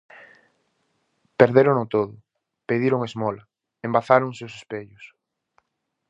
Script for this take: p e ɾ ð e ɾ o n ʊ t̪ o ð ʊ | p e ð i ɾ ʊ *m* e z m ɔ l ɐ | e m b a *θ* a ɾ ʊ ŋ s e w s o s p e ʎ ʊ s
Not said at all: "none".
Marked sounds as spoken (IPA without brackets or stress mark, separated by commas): ŋ, θ